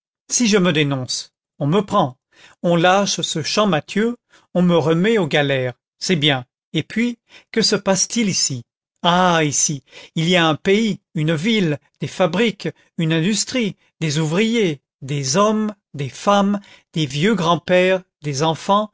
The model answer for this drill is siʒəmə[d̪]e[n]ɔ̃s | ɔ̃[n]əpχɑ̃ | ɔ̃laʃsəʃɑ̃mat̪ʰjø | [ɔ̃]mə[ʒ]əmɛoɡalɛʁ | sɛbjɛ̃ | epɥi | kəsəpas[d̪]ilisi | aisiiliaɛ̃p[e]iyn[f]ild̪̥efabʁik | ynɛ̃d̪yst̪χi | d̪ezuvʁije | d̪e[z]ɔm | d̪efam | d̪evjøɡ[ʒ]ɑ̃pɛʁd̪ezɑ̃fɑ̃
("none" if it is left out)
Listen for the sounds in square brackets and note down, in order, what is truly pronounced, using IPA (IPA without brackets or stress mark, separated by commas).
d̪, n, m, ɔ̃, ʁ, t̪, e, v, z, ʁ